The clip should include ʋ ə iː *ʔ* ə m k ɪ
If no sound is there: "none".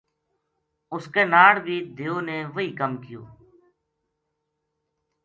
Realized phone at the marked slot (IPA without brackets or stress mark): k